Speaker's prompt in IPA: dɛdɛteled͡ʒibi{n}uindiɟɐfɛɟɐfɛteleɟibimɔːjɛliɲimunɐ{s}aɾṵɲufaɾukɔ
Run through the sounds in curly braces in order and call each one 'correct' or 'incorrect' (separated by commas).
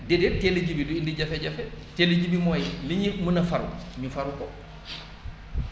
incorrect, incorrect